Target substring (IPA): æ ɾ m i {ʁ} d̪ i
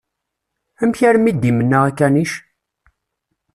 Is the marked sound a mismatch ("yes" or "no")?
yes